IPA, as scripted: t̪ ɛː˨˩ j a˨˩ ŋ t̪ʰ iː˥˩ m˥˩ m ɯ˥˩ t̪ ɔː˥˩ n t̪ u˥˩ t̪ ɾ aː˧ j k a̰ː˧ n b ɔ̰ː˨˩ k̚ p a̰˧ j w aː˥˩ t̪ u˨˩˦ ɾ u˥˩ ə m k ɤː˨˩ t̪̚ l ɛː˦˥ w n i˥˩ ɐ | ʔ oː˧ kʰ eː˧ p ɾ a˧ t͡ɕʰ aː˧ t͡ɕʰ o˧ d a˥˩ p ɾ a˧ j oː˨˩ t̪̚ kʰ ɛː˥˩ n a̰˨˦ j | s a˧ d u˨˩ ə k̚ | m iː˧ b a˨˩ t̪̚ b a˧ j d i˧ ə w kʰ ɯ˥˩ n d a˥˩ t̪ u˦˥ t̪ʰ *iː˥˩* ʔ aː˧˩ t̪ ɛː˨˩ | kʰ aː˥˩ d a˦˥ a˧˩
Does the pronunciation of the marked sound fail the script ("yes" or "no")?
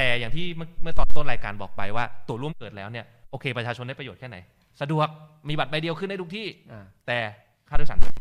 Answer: no